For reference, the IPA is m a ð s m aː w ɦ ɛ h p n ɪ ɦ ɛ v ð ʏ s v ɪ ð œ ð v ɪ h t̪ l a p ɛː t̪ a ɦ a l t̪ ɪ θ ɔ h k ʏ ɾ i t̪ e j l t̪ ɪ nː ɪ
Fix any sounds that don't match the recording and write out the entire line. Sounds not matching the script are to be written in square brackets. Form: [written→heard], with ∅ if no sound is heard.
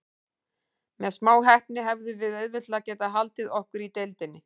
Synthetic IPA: m [a→ɛ] ð s m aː w ɦ ɛ h p n ɪ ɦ ɛ v ð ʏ [s→∅] v ɪ ð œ ð v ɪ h t̪ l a [p→c] ɛː t̪ a ɦ a l t̪ ɪ [θ→ð] ɔ h k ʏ ɾ i t̪ e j l t̪ ɪ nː ɪ